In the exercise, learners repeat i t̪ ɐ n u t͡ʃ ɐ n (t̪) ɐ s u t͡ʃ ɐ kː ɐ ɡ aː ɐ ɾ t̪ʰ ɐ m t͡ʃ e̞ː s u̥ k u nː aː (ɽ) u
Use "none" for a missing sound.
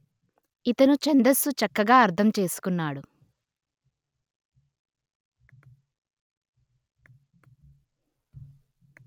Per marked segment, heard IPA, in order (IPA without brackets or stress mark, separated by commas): d̪, ɽ